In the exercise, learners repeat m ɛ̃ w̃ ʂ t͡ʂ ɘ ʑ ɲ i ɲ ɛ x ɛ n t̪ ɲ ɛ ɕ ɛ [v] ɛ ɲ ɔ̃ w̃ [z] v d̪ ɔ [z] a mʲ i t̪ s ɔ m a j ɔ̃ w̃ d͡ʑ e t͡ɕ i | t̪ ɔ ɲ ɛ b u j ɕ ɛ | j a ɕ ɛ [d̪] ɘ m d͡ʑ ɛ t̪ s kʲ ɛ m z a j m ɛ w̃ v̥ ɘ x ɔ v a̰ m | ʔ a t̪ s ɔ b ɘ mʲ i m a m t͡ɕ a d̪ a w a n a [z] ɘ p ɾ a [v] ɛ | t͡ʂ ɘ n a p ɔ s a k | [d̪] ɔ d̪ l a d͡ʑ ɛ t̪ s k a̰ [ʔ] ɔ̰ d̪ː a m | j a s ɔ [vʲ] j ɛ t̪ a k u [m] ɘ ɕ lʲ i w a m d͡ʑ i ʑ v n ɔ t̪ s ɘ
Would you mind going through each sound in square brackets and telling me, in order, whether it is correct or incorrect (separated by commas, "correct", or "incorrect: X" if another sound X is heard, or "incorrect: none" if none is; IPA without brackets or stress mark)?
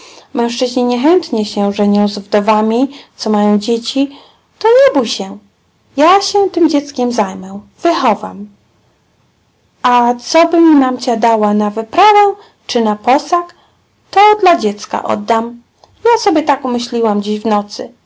incorrect: ʐ, correct, incorrect: v, incorrect: t̪, incorrect: v, correct, incorrect: t̪, correct, incorrect: bʲ, correct